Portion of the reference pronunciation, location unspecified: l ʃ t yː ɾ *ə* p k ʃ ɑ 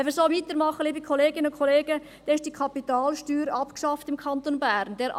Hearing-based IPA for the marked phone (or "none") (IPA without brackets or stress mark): ɑ